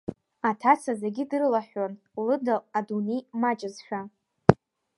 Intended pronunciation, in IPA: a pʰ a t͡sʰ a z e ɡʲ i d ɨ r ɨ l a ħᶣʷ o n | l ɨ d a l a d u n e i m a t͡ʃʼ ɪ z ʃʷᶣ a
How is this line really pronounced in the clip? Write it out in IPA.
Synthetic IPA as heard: a tʰ a t͡sʰ a z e ɡʲ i d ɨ r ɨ l a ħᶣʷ o n | l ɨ d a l a d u n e j m a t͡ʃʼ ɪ z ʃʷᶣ a